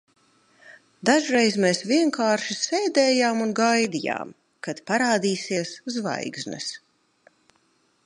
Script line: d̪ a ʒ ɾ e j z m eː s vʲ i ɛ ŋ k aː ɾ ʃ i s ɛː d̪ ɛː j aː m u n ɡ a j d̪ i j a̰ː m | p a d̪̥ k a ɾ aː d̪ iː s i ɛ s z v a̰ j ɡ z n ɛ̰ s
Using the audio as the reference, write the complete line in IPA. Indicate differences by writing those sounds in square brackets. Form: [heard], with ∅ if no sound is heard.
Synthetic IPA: d̪ a ʒ ɾ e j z m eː s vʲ i ɛ ŋ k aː ɾ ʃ i s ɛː d̪ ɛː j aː m u n ɡ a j d̪ i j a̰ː m | [k] a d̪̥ [p] a ɾ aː d̪ iː s i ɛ s z v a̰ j ɡ z n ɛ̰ s

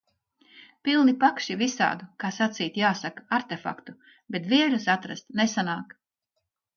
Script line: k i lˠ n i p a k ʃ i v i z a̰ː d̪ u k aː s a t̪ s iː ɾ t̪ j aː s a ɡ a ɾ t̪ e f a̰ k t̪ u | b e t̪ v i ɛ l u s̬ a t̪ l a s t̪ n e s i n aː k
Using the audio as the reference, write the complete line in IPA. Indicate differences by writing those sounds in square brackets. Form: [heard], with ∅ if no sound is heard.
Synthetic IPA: [p] i lˠ n i p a k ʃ i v i [s] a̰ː d̪ u k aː s a t̪ s iː [∅] t̪ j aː s a [k] a ɾ t̪ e f a̰ k t̪ u | b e t̪ v i ɛ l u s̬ a t̪ [ɾ] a s t̪ n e s [a] n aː k

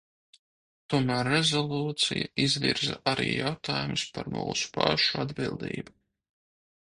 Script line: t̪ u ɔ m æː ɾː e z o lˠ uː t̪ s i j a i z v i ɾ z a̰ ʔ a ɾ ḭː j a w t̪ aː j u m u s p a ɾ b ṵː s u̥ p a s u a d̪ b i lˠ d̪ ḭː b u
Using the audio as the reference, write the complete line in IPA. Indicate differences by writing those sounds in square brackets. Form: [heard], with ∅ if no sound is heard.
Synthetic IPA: t̪ u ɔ m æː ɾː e z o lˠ uː t̪ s i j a i z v i ɾ z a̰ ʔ a ɾ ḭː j a w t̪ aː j u m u s p a ɾ [m] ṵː s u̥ p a [ʃ] u a d̪ b i lˠ d̪ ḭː b u

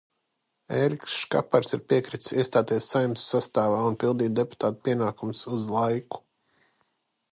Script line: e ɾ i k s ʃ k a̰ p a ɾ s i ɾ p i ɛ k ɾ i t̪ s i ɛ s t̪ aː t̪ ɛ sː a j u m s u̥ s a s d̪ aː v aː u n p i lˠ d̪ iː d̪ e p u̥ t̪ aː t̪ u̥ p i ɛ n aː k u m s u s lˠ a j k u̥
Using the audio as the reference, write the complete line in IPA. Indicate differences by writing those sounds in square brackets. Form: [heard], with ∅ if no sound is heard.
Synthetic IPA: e ɾ i k s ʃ k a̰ p a ɾ s i ɾ p i ɛ k ɾ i t̪ s i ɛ s t̪ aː t̪ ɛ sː a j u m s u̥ s a s [t̪] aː v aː u n p i lˠ d̪ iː d̪ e p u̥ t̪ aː t̪ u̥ p i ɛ n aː k u m s u [z] lˠ a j k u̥

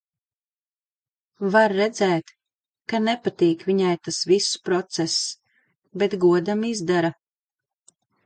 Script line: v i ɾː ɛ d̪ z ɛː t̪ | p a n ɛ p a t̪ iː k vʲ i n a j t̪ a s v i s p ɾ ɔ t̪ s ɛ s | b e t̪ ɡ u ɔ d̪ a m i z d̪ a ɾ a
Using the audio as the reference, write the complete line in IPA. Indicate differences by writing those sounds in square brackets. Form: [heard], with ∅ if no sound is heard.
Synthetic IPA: v [a] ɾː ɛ d̪ z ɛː t̪ | [k] a n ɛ p a t̪ iː k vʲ i [ɲ] a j t̪ a s v i s p ɾ ɔ t̪ s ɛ s | b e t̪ ɡ u ɔ d̪ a m i z d̪ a ɾ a

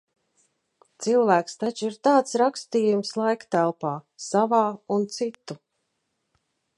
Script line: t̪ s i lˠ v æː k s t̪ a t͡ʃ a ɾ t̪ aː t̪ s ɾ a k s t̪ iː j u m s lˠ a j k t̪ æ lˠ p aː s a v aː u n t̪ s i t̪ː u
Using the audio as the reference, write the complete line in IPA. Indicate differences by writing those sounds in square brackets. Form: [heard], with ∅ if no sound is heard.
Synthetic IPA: t̪ s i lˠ v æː k s t̪ a t͡ʃ [i] ɾ t̪ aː t̪ s ɾ a k s t̪ iː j u m s lˠ a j k t̪ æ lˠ p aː s a v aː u n t̪ s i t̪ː u

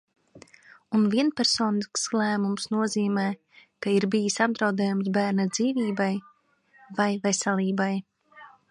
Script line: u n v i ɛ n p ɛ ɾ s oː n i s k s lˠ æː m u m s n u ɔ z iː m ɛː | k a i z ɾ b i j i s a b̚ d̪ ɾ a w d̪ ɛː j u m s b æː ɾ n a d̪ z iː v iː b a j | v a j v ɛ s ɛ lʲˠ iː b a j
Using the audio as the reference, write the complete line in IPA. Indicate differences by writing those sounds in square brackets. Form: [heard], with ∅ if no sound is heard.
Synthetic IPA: u n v i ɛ n p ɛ ɾ s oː n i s k s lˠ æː m u m s n u ɔ z iː m ɛː | k a i [∅] ɾ b i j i s a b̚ d̪ ɾ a w d̪ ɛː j u m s b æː ɾ n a d̪ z iː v iː b a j | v a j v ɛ s ɛ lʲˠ iː b a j

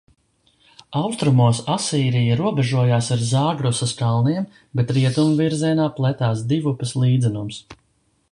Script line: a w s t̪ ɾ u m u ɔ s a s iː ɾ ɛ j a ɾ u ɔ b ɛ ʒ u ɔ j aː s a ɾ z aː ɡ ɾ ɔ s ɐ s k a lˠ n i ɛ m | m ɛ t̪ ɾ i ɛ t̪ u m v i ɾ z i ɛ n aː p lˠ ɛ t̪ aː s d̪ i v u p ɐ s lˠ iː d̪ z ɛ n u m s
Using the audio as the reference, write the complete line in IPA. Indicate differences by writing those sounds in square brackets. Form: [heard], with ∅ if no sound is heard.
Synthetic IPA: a w s t̪ ɾ u m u ɔ s a s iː ɾ [i] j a ɾ u ɔ b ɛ ʒ u ɔ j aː s a ɾ z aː ɡ ɾ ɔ s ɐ s k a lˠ n i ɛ m | [b] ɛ t̪ ɾ i ɛ t̪ u m v i ɾ z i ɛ n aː p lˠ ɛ t̪ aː s d̪ i v u p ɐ s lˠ iː d̪ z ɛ n u m s

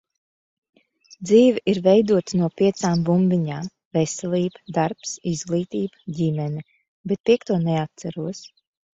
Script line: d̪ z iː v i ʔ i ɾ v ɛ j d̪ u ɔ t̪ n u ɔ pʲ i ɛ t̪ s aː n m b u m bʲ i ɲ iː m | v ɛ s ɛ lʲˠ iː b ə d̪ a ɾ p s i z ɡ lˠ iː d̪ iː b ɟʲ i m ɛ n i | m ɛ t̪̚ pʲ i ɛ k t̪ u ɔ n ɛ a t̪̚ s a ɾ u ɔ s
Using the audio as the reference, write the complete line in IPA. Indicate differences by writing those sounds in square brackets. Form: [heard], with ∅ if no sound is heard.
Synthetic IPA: d̪ z iː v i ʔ i ɾ v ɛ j d̪ u ɔ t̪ n u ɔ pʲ i ɛ t̪ s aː [∅] m b u m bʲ i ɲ [aː] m | v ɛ s ɛ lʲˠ iː b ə d̪ a ɾ p s i z ɡ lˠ iː [t̪] iː b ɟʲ i m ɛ n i | [b] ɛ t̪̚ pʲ i ɛ k t̪ u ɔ n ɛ a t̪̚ s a ɾ u ɔ s

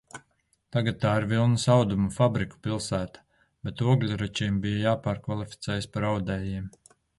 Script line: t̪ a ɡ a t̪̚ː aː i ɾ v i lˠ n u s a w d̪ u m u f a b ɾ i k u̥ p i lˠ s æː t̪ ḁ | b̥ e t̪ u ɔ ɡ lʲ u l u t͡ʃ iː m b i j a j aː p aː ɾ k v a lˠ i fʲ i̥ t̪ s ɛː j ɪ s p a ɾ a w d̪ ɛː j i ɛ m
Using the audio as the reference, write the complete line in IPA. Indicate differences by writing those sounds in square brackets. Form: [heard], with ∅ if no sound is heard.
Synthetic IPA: t̪ a ɡ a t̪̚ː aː i ɾ v i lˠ n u s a w d̪ u m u f a b ɾ i k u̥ p i lˠ s æː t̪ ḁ | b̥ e t̪ u ɔ ɡ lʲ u [ɾ] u t͡ʃ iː m b i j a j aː p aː ɾ k v a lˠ i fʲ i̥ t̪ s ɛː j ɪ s p a ɾ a w d̪ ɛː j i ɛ m

